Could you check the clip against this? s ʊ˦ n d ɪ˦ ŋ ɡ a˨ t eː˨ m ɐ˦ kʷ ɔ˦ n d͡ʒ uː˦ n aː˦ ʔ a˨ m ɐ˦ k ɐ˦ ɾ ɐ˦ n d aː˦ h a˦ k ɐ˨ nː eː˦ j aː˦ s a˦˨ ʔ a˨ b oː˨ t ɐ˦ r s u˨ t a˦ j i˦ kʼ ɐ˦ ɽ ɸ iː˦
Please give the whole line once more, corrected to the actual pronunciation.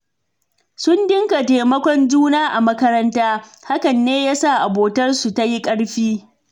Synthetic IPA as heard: s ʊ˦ n d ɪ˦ ŋ k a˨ t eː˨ m ɐ˦ kʷ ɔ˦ n d͡ʒ uː˦ n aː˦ ʔ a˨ m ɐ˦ k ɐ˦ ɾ ɐ˦ n t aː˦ h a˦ k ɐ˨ nː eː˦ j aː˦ s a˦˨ ʔ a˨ b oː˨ t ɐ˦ r s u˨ t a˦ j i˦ kʼ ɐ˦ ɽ ɸ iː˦